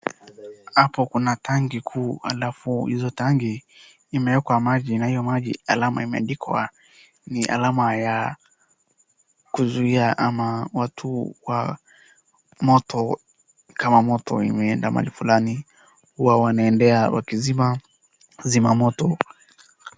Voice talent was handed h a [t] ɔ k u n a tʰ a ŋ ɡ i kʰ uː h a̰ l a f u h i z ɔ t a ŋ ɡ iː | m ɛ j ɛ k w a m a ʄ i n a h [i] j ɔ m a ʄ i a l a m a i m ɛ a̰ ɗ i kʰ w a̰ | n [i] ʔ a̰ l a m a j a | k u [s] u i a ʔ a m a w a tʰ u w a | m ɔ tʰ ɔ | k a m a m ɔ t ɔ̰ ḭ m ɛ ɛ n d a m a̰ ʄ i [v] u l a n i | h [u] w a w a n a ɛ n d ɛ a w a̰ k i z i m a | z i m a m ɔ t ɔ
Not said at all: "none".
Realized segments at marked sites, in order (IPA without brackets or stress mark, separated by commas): p, i, i, z, f, u